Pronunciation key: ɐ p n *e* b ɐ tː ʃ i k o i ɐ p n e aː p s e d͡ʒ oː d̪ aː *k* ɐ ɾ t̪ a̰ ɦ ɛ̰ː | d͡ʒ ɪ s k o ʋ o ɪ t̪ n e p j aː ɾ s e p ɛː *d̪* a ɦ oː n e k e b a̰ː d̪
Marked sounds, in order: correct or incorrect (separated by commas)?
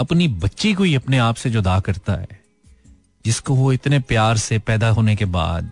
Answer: incorrect, correct, correct